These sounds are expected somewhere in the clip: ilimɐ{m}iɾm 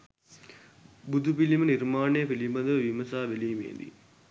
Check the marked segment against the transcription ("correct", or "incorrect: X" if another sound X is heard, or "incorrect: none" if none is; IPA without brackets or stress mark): incorrect: n